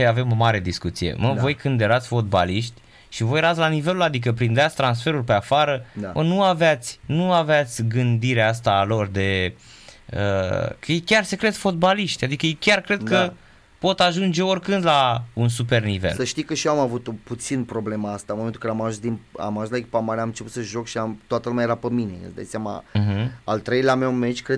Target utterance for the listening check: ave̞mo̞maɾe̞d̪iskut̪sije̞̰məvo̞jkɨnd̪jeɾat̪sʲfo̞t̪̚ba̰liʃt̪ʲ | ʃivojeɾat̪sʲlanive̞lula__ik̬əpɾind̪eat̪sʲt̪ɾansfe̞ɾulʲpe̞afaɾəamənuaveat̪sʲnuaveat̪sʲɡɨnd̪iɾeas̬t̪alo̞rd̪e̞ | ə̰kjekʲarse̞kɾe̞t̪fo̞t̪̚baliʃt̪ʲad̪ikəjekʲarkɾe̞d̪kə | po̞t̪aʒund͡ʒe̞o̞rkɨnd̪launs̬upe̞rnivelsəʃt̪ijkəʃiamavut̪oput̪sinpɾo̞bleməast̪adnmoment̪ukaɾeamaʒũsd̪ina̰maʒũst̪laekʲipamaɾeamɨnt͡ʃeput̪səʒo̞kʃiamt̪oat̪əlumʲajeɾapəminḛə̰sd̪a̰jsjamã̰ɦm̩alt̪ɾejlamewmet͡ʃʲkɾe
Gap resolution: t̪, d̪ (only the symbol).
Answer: d̪